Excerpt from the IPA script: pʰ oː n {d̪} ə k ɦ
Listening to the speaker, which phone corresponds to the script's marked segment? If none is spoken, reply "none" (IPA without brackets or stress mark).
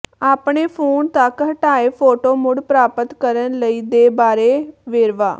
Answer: t̪